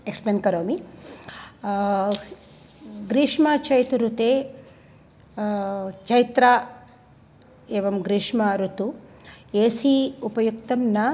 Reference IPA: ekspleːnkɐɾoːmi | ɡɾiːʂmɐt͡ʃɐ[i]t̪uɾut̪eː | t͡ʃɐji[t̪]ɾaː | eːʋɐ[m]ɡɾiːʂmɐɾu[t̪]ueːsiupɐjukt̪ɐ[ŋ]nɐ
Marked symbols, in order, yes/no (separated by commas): no, yes, yes, yes, no